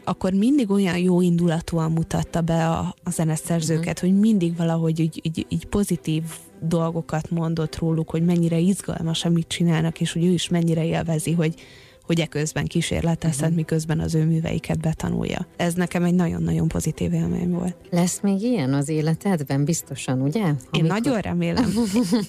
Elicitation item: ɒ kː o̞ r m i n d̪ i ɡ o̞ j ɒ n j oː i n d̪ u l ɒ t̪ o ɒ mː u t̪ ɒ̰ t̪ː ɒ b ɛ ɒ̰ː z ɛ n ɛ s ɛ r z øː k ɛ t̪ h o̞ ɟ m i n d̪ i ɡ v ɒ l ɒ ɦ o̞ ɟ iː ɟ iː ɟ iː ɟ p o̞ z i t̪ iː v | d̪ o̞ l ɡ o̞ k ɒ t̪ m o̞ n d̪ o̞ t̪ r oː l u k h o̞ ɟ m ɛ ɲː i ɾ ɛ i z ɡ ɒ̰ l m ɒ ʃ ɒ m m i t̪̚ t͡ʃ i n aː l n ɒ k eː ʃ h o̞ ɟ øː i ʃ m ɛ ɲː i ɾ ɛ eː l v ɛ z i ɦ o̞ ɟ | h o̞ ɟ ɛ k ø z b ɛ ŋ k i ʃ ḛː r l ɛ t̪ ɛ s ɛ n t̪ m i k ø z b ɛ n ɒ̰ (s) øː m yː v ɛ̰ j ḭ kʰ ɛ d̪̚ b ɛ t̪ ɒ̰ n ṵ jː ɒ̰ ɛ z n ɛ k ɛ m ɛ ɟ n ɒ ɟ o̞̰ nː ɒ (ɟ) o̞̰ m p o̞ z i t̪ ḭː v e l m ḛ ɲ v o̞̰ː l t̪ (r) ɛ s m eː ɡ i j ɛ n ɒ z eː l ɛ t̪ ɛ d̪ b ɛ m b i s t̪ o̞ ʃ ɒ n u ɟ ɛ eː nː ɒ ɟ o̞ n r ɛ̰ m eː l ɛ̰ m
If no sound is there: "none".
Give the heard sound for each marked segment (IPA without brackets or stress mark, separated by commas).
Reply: z, ɟ, l